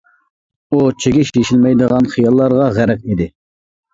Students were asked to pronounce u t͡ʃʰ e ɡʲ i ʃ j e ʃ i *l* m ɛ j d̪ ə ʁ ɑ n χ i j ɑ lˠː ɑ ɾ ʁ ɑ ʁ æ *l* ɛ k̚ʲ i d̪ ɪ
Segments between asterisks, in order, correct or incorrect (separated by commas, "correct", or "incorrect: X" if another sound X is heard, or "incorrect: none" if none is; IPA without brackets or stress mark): correct, incorrect: ɾ